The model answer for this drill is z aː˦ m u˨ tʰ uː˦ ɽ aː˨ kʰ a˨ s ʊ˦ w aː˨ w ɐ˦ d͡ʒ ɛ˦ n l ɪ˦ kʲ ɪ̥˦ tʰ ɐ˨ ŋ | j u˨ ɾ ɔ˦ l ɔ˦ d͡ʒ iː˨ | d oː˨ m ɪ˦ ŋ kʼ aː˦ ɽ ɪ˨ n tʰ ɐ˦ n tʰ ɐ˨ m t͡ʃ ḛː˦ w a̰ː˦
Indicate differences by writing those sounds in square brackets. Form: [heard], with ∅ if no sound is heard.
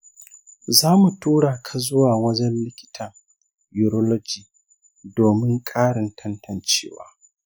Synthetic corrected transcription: z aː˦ m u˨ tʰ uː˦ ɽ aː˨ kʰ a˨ [z] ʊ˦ w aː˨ w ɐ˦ d͡ʒ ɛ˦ n l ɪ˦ kʲ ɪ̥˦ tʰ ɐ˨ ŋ | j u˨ ɾ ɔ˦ l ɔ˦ d͡ʒ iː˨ | d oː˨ m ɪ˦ ŋ kʼ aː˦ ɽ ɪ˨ n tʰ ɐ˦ n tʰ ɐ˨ [n] t͡ʃ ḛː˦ w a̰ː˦